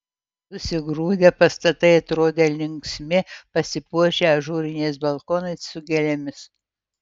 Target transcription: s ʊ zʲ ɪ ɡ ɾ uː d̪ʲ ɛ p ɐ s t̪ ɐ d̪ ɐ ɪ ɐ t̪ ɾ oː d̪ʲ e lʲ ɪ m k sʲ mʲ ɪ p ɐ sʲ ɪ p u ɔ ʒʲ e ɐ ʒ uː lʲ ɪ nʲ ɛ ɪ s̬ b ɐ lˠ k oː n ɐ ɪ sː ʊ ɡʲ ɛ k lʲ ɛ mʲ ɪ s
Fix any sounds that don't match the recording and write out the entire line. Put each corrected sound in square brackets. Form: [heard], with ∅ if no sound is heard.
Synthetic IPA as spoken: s ʊ [sʲ] ɪ ɡ ɾ uː d̪ʲ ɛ p ɐ s t̪ ɐ [t̪] ɐ ɪ ɐ t̪ ɾ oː d̪ʲ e lʲ ɪ [ŋ] k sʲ mʲ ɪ p ɐ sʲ ɪ p u ɔ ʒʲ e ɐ ʒ uː [ɾʲ] ɪ nʲ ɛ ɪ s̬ b ɐ lˠ k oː n ɐ ɪ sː ʊ ɡʲ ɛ [∅] lʲ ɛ mʲ ɪ s